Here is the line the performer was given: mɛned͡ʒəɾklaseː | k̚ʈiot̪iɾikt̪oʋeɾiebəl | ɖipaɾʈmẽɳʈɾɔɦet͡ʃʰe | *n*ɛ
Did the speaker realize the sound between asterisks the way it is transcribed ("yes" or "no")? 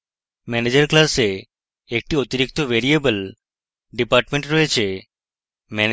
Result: no